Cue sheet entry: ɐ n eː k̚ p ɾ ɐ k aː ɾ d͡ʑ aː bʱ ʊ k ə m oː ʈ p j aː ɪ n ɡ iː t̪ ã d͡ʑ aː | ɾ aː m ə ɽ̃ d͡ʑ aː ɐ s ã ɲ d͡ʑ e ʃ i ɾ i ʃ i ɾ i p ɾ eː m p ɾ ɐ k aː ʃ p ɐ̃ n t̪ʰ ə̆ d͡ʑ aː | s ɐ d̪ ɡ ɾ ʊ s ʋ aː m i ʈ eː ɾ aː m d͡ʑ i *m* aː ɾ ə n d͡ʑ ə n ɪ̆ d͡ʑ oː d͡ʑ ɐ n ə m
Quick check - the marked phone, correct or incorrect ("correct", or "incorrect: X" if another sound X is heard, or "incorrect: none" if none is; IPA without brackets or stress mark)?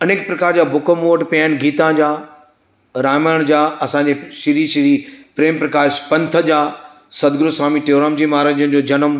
correct